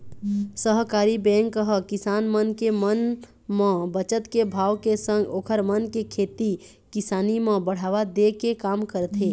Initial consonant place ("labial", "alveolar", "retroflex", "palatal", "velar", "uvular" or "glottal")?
alveolar